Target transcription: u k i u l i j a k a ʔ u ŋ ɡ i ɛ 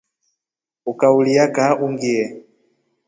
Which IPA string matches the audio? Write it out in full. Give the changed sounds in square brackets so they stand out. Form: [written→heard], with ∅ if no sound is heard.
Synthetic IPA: u k [i→a] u l i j a k a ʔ u ŋ ɡ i ɛ